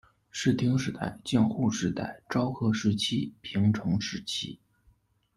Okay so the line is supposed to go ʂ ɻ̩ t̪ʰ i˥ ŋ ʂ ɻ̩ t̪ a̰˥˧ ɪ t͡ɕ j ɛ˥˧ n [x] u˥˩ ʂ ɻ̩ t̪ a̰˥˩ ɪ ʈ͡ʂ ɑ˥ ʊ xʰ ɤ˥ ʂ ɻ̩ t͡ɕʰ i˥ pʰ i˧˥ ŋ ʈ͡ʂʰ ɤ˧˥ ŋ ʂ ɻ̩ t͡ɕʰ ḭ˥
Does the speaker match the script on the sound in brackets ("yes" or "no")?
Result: yes